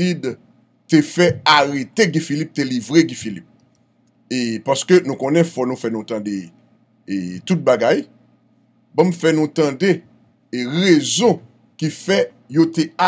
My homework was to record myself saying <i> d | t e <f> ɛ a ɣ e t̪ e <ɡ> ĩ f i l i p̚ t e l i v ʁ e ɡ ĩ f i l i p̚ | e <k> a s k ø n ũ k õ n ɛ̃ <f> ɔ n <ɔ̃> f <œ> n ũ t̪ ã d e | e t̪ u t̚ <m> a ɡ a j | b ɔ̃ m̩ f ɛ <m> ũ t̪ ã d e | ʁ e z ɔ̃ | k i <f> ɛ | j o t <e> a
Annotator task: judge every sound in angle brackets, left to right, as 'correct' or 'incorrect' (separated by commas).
correct, correct, correct, incorrect, correct, incorrect, incorrect, incorrect, incorrect, correct, correct